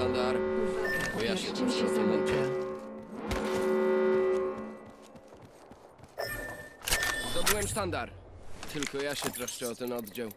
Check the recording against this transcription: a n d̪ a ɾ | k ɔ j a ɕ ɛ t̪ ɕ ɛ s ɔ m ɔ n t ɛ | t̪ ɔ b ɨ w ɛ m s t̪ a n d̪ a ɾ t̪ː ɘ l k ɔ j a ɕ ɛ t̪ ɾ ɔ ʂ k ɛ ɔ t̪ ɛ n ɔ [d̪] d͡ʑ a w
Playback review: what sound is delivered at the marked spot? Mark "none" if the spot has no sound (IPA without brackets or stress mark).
d̪